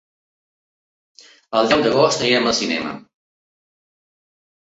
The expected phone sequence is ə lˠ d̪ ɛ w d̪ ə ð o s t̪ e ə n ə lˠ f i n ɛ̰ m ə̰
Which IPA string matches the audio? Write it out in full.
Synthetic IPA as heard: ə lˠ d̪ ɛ w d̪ ə ɣ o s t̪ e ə m ə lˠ s i n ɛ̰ m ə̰

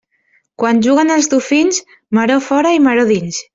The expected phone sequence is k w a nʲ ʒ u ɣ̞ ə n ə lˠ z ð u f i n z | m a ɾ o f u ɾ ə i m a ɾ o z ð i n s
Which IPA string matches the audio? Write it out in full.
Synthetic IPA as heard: k w a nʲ ʒ u ɣ̞ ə n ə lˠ z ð u f i n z | m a ɾ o f ɔ ɾ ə i m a ɾ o ð i n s

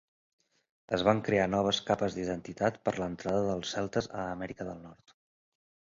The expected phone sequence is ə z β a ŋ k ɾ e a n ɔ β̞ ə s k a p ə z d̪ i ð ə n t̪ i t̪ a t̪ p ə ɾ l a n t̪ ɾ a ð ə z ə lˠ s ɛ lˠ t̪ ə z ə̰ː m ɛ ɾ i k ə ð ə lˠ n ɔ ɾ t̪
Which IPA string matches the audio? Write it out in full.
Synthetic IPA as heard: ə z β a ŋ k ɾ e a n ɔ β̞ ə s k a p ə z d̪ i ð ə n t̪ i t̪ a t̪ p ə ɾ l ə n t̪ ɾ a ð ə ð ə lˠ s ɛ lˠ t̪ ə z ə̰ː m ɛ ɾ i k ə ð ə lˠ n ɔ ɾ t̪

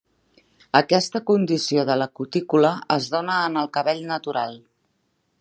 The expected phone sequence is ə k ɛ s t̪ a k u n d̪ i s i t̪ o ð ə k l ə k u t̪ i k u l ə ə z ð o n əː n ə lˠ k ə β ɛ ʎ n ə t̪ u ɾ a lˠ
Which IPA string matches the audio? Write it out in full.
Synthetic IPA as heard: ə k ɛ s t̪ ə k u n d̪ i s i o ð ə l ə k u t̪ i k u l ə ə z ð o n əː n ə lˠ k ə β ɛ ʎ n ə t̪ u ɾ a lˠ

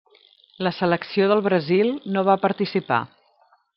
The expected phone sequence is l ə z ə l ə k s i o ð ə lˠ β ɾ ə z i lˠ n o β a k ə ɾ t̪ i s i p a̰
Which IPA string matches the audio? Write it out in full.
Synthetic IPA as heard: l ə s ə l ə k s i o ð ə lˠ β ɾ ə z i lˠ n o β a p ə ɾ t̪ i s i p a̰

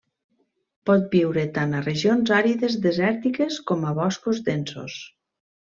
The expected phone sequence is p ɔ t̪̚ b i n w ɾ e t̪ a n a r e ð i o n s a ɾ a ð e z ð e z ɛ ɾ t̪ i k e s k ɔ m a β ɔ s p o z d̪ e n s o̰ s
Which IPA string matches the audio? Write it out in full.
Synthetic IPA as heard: p ɔ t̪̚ b i w ɾ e t̪ a n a r e ʒ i o n z a ɾ i ð e z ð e z ɛ ɾ t̪ i k e s k ɔ m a β ɔ s k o z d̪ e n s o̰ s

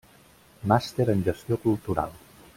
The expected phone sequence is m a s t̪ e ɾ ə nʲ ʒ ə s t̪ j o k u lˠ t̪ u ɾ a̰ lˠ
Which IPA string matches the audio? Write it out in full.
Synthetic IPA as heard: m a s t̪ e ɾ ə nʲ ʒ ə s t̪ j o k u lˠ t̪ u ɾ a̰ lˠ

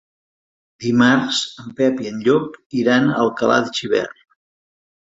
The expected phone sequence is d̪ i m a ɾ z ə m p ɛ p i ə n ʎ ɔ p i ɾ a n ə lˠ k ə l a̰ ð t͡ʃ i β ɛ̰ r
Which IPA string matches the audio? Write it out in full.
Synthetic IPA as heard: d̪ i m a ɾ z ə m p ɛ p i ə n ʎ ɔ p i ɾ a n ə lˠ k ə l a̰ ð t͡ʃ i β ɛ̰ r

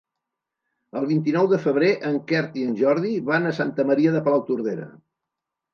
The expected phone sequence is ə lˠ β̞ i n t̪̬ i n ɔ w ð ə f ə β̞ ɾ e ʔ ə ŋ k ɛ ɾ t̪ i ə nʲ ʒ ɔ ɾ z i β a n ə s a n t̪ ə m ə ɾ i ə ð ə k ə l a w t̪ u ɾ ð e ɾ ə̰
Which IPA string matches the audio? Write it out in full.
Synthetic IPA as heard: ə lˠ β̞ i n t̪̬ i n ɔ w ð ə f ə β̞ ɾ e ʔ ə ŋ k ɛ ɾ t̪ i ə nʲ ʒ ɔ ɾ ð i β a n ə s a n t̪ ə m ə ɾ i ə ð ə p ə l a w t̪ u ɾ ð e ɾ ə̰

